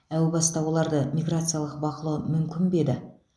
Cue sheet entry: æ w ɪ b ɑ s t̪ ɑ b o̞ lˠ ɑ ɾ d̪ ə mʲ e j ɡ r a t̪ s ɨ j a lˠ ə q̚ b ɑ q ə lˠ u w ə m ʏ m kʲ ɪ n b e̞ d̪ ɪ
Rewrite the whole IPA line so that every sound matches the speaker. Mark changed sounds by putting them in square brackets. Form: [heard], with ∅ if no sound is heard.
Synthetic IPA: æ w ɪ b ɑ s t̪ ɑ [w] o̞ lˠ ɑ ɾ d̪ ə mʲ [i] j ɡ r a t̪ s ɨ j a lˠ ə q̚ b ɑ q ə lˠ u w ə m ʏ m kʲ ɪ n b e̞ d̪ ɪ